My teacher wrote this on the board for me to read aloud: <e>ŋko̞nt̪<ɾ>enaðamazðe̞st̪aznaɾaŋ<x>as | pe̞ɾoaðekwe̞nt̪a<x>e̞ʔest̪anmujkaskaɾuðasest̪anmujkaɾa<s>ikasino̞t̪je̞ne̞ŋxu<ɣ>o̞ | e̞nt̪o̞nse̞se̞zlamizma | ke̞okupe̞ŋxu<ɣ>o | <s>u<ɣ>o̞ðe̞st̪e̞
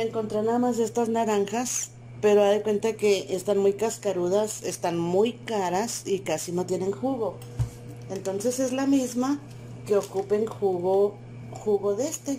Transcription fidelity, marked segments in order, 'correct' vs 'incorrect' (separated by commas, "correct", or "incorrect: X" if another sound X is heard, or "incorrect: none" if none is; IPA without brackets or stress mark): correct, correct, correct, incorrect: k, correct, correct, correct, incorrect: x, correct